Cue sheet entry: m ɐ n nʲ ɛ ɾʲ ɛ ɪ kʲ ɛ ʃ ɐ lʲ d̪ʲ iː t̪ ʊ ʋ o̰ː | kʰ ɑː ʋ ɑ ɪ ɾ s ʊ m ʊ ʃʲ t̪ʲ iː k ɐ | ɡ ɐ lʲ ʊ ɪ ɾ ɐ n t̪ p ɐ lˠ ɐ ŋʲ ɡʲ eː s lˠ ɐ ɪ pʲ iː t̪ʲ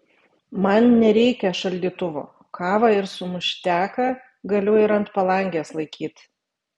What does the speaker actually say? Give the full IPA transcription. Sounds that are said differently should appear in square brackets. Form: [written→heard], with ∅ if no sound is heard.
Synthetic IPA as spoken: m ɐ n nʲ ɛ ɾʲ ɛ ɪ kʲ ɛ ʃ ɐ lʲ d̪ʲ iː t̪ ʊ ʋ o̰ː | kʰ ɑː ʋ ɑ ɪ ɾ s ʊ m ʊ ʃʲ t̪ʲ [iː→æː] k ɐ | ɡ ɐ lʲ ʊ ɪ ɾ ɐ n t̪ p ɐ lˠ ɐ ŋʲ ɡʲ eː s lˠ ɐ ɪ [pʲ→kʲ] iː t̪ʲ